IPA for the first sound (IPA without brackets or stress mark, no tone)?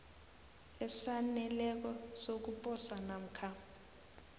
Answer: ɛ